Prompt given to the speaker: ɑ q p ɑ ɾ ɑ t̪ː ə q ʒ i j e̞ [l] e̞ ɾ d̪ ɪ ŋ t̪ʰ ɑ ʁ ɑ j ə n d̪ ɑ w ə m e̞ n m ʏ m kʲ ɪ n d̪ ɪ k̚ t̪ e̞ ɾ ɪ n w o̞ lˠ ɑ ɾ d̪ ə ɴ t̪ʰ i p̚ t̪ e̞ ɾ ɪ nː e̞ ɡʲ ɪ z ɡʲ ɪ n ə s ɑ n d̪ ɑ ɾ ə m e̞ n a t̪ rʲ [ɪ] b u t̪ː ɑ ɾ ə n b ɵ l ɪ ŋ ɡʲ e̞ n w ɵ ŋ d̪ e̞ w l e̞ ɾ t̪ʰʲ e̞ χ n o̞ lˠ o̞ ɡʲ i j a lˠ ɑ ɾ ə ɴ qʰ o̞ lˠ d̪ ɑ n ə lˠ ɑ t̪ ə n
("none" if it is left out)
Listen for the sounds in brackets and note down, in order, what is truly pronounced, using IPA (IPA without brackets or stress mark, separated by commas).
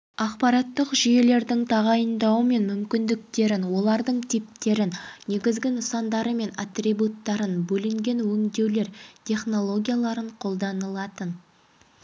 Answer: l, i